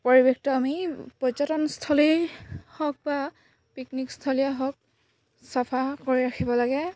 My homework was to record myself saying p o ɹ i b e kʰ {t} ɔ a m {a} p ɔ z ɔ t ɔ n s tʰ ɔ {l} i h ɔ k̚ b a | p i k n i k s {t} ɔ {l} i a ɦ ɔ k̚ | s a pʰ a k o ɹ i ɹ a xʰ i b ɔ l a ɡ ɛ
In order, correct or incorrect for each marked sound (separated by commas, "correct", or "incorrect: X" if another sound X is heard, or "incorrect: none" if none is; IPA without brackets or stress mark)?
correct, incorrect: i, correct, incorrect: tʰ, correct